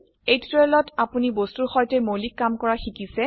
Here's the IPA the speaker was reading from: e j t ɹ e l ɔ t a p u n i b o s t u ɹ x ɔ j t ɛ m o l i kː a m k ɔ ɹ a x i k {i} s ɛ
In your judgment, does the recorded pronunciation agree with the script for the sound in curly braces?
yes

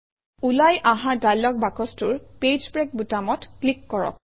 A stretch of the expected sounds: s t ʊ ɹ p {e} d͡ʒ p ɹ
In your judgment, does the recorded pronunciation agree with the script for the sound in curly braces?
yes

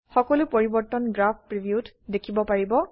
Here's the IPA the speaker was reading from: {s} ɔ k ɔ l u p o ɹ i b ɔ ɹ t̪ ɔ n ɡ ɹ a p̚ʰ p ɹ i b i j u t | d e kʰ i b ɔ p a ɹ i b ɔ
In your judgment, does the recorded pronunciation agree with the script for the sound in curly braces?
no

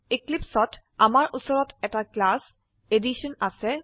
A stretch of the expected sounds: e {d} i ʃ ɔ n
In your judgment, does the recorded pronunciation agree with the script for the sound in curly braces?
yes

